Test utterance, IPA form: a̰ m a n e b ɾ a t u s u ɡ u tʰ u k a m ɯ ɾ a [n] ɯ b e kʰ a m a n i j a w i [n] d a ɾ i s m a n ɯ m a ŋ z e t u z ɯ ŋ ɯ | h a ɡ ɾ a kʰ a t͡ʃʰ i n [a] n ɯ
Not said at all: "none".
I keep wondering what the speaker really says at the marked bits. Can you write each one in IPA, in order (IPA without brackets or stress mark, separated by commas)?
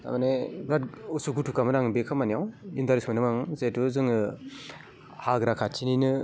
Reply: ŋ, n, i